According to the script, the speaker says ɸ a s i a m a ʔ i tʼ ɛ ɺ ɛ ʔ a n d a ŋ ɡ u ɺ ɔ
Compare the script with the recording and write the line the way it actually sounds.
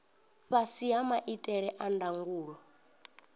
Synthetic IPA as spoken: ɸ a s i a m a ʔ i tʼ ɛ ɺ ɛ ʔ a n d a ŋ ɡ uː ɺ ɔ